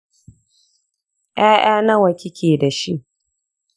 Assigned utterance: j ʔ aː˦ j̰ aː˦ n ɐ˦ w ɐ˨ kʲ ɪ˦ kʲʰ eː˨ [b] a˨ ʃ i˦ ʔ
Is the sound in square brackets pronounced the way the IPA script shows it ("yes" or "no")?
no